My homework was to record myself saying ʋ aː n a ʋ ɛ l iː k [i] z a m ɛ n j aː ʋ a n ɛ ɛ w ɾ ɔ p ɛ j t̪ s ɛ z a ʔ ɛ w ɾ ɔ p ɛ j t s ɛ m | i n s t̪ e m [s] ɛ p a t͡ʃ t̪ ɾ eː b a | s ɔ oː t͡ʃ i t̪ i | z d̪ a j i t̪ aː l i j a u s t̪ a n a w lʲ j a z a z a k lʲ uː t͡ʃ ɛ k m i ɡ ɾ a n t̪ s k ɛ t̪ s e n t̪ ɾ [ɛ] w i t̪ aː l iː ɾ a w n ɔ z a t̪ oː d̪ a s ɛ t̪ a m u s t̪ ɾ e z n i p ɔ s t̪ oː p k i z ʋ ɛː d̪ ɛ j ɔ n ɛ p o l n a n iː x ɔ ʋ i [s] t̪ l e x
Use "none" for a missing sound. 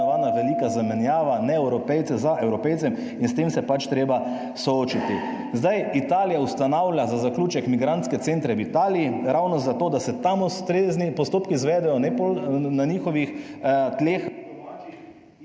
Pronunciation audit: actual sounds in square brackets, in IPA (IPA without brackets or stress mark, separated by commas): a, s, ɛ, x